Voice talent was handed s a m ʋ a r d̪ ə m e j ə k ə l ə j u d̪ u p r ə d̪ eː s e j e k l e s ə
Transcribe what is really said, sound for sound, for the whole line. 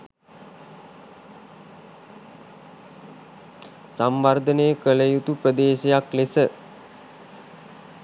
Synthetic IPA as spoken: s a m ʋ a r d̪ ə n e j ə k ə l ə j u t̪ u p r ə d̪ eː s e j a k l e s ə